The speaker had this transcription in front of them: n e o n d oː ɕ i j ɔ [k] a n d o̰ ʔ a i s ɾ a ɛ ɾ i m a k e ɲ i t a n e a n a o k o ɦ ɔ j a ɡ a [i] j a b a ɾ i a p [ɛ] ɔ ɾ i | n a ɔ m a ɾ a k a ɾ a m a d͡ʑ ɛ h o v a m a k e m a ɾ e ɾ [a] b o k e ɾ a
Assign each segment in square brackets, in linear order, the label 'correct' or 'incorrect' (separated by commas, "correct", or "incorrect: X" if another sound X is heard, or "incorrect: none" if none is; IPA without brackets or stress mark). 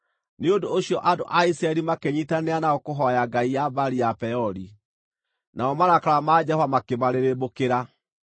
incorrect: ʔ, correct, correct, incorrect: e